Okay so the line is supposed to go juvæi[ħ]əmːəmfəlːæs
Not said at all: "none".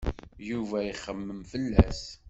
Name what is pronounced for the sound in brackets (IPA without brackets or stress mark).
χ